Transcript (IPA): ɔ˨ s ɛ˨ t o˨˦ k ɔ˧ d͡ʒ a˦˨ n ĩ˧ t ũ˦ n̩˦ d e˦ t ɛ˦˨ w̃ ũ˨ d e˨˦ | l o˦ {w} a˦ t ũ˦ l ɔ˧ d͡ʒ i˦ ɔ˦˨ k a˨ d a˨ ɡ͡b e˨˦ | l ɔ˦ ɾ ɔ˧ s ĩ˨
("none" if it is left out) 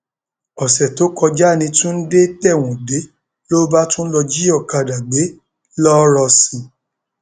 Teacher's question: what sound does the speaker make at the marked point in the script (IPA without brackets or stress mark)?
b